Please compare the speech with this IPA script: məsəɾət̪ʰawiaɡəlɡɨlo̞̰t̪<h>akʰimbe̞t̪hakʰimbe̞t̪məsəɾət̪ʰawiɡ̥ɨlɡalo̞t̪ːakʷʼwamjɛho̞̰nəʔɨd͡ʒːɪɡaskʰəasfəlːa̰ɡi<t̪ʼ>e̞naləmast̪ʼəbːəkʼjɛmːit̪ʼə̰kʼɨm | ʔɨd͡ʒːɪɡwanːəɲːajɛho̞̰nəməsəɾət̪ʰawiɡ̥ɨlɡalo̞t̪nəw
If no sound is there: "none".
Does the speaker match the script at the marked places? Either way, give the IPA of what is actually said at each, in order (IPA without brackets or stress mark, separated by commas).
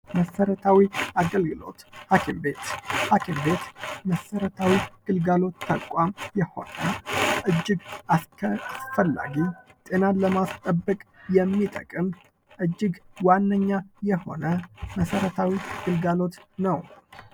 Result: h, t̪ʼ